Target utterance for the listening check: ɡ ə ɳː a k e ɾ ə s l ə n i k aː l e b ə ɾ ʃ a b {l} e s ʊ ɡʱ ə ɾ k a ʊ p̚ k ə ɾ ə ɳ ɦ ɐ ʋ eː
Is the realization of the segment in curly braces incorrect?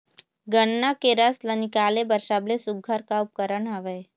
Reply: no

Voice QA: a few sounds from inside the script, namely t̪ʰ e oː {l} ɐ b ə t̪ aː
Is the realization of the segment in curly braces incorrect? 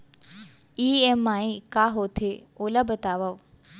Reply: no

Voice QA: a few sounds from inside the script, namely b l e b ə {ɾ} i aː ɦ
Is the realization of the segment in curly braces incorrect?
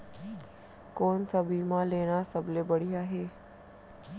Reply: yes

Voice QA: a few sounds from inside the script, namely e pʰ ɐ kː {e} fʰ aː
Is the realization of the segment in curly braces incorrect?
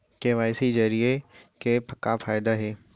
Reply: yes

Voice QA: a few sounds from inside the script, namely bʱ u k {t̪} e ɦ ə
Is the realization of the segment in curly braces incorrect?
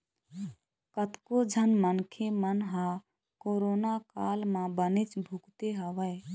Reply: no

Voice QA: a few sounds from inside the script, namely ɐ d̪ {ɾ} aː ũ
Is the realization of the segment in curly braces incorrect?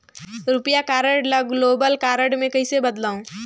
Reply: yes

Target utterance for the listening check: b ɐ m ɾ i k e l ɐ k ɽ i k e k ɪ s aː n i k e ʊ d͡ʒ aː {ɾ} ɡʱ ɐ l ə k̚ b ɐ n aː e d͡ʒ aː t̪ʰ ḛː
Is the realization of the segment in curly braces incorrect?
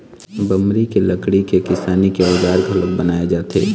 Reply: no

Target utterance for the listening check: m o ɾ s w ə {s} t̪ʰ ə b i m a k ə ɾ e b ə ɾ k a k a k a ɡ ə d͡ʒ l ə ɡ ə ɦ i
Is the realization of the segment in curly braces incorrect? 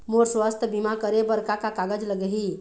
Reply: no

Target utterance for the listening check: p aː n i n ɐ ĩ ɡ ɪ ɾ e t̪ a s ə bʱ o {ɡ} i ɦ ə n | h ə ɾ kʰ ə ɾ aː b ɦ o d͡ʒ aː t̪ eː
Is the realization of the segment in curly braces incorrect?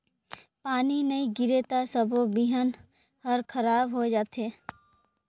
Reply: yes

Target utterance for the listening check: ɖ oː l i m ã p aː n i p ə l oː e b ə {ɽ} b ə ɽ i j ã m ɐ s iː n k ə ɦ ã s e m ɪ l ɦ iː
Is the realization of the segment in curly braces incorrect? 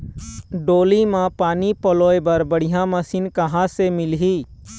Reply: yes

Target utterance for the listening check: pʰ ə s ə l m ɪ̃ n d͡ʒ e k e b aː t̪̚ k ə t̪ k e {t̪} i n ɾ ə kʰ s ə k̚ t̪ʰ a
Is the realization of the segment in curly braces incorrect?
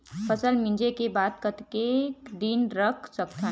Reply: yes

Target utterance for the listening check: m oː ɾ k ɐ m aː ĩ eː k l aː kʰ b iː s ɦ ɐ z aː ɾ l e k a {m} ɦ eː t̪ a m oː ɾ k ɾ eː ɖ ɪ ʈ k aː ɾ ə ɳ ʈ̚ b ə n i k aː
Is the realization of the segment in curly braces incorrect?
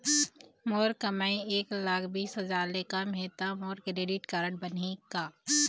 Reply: no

